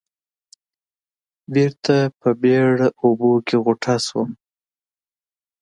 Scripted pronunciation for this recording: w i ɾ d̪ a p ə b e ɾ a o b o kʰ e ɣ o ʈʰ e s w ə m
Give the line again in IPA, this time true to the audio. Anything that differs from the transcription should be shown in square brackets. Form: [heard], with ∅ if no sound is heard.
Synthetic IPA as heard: [b] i ɾ [t̪] a p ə b e [ɽ] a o b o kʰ e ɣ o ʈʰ [a] s w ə m